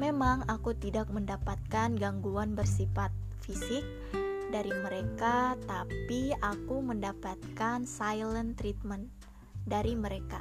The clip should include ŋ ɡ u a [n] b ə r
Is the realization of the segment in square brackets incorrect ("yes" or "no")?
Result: no